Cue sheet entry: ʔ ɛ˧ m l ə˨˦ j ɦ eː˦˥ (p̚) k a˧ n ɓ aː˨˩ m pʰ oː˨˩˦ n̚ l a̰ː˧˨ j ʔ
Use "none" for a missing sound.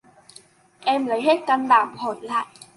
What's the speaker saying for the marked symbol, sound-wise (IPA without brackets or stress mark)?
t̚